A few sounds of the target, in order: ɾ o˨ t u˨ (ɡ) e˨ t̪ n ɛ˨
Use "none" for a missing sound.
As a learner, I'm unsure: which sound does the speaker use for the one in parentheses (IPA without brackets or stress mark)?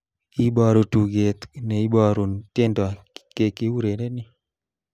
ɡ